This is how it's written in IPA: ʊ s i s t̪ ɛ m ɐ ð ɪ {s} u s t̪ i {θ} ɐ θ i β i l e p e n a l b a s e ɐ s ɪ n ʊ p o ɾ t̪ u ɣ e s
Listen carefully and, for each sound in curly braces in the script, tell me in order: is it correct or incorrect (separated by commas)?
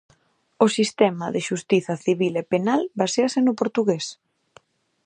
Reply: incorrect, correct